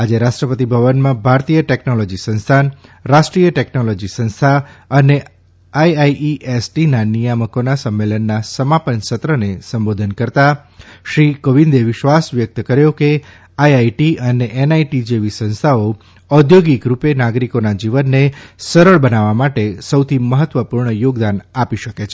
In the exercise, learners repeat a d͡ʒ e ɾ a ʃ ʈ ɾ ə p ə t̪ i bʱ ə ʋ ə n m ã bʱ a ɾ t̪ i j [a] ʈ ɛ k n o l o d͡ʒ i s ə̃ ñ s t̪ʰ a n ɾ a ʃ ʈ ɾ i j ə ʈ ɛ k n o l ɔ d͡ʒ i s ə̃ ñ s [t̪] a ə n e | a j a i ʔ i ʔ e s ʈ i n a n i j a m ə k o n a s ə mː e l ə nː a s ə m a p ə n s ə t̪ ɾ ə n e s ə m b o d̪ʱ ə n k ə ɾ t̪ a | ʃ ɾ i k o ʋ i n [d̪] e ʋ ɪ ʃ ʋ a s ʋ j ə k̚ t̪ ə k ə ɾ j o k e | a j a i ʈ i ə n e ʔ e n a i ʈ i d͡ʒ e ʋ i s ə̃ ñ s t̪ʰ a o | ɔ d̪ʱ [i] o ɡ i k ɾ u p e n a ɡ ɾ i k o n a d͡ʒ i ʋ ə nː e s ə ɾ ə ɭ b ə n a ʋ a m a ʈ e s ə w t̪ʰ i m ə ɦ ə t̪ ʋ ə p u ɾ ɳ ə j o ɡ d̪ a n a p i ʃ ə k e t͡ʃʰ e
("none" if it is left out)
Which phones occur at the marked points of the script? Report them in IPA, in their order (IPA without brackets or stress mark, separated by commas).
ə, t̪ʰ, d̪, j